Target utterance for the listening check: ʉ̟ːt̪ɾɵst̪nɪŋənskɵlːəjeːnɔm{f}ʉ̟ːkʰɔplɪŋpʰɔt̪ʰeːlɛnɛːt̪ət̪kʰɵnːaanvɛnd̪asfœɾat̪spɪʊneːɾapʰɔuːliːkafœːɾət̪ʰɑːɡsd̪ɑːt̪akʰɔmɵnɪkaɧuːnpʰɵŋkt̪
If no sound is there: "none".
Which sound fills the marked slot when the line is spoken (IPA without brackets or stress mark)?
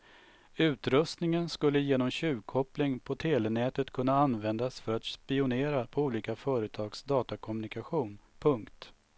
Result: ɕ